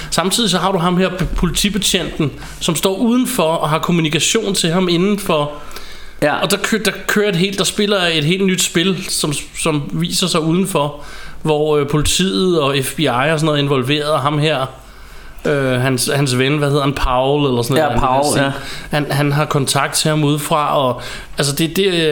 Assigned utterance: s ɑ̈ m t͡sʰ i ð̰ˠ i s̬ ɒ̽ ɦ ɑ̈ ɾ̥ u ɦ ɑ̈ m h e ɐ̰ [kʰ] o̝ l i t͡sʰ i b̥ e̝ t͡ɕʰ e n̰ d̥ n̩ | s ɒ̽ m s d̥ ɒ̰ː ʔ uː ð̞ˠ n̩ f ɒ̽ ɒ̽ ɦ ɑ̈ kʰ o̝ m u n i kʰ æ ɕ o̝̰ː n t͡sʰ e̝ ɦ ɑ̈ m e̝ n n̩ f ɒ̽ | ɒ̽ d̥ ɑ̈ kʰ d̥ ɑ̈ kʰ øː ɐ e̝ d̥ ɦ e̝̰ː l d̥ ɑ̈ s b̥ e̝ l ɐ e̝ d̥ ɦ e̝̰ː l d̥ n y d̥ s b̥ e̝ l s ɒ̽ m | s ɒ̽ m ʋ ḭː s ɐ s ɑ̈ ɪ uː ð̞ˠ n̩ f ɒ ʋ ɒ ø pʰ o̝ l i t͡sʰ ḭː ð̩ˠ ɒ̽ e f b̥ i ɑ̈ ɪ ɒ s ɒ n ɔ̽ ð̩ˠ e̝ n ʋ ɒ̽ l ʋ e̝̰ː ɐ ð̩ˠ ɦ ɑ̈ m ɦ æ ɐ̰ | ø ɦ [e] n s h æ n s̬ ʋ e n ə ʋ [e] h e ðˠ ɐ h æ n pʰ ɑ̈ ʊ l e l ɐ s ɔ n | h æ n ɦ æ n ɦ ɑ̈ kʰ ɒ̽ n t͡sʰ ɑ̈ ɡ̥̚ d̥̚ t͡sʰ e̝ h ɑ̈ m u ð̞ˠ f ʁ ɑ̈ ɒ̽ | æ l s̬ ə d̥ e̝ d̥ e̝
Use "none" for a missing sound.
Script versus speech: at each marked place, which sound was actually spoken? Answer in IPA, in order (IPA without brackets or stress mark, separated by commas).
pʰ, æ, æ